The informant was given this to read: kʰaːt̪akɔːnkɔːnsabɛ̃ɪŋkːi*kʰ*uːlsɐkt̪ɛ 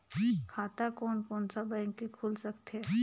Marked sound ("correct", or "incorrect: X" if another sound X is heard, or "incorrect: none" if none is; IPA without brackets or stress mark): correct